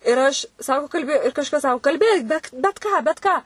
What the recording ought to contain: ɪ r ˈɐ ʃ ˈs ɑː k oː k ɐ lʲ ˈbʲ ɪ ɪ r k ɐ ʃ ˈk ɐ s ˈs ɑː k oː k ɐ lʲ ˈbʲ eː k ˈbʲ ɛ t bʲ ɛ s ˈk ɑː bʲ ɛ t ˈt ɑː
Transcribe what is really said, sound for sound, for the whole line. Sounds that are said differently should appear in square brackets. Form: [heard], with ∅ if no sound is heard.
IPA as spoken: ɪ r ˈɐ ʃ ˈs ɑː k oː k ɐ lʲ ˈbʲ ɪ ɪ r k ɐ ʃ ˈk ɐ s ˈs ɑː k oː k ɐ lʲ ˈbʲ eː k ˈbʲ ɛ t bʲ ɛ [t] ˈk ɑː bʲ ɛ t [ˈk] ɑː

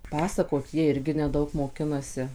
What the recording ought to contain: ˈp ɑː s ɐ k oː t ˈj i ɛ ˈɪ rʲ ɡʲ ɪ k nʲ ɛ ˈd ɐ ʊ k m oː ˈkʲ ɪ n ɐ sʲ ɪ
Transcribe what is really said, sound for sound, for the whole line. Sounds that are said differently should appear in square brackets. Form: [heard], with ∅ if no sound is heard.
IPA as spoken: ˈp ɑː s ɐ k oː t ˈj i ɛ ˈɪ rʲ ɡʲ ɪ [∅] nʲ ɛ ˈd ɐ ʊ k m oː ˈkʲ ɪ n ɐ sʲ ɪ

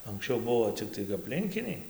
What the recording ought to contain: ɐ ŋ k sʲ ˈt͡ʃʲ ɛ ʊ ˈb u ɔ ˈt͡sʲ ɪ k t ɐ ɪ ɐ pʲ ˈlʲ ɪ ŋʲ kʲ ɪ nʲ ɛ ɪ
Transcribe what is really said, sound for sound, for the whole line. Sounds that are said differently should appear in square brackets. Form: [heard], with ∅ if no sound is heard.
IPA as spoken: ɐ ŋ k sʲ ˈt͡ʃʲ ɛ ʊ ˈb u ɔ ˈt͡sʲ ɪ k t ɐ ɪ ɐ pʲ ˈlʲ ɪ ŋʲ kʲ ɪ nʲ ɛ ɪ

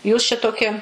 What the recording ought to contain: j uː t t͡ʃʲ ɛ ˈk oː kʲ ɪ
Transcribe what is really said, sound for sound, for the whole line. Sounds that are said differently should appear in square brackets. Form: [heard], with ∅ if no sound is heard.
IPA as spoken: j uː [s] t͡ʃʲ ɛ [ˈt] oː kʲ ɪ

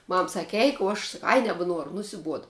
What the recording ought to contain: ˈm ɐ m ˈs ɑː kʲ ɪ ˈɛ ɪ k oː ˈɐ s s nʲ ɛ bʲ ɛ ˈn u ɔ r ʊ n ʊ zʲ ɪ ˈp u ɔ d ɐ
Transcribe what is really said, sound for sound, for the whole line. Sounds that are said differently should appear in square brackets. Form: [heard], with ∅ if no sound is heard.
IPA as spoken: ˈm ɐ m ˈs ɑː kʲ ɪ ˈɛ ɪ k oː ˈɐ [ʃ] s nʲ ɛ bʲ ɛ ˈn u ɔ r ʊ n ʊ [sʲ] ɪ [ˈb] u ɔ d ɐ

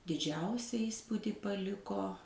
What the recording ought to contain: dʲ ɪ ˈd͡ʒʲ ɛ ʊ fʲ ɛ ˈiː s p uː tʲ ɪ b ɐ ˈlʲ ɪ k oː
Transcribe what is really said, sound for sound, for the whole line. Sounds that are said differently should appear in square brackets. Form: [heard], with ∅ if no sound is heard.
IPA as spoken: dʲ ɪ ˈd͡ʒʲ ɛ ʊ [sʲ] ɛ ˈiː s p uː [dʲ] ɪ [p] ɐ ˈlʲ ɪ k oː

